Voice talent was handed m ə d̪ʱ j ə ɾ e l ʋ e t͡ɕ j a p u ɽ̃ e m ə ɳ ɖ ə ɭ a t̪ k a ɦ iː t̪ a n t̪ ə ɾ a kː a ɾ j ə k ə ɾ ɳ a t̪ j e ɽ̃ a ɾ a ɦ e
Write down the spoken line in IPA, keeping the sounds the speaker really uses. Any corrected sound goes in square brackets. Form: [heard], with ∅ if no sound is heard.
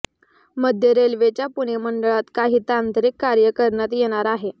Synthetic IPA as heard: m ə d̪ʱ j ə ɾ e l ʋ e t͡ɕ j a p u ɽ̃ e m ə ɳ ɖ ə ɭ a t̪ k a ɦ iː t̪ a n t̪ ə ɾ [i] kː a ɾ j ə k ə ɾ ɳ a t̪ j e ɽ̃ a ɾ a ɦ e